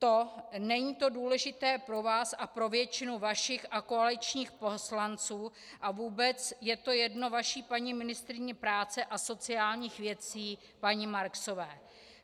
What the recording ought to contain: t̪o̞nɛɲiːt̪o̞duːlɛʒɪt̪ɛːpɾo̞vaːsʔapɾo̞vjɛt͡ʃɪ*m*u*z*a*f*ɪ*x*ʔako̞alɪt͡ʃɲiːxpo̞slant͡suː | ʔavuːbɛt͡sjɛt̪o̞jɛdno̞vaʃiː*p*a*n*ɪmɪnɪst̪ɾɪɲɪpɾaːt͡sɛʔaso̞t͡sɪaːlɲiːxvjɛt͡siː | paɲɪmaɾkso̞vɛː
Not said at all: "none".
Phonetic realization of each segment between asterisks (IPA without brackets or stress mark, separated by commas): n, v, ʃ, x, p, ɲ